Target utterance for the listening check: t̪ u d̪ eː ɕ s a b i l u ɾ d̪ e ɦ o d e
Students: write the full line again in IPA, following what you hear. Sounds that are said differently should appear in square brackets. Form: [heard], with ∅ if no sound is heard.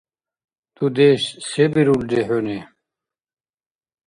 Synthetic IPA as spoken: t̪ u d̪ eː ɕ s [e] b i [ɾ] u [l] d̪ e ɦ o [n] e